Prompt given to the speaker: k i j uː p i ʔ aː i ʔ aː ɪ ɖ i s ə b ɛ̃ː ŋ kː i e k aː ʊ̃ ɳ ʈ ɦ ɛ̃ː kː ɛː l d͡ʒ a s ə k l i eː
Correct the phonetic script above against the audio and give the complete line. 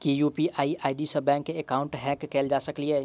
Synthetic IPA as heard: k i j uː p i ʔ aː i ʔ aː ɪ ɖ i s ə b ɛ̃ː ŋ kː e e k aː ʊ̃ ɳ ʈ ɦ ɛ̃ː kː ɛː l d͡ʒ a s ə k l i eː